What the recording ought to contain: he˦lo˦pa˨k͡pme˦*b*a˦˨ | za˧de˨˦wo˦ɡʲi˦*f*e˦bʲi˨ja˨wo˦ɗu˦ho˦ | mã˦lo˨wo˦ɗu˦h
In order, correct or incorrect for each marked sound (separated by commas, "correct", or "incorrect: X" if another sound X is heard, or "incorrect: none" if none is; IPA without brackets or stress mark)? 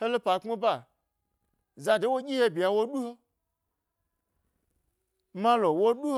correct, incorrect: h